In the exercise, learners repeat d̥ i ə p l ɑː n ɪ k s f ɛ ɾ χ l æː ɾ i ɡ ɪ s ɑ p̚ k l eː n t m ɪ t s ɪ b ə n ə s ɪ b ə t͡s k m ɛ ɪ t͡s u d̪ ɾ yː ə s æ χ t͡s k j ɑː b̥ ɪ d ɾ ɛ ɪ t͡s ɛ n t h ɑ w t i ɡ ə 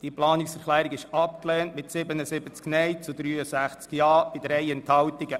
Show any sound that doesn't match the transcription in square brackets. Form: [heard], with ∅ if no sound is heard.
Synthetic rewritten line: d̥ i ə p l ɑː n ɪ k s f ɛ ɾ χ l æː ɾ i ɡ ɪ [ʃ] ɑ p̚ k l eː n t m ɪ t s ɪ b ə n ə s ɪ b ə t͡s k [n] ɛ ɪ t͡s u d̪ ɾ yː ə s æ χ t͡s k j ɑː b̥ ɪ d ɾ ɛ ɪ [∅] ɛ n t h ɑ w t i ɡ ə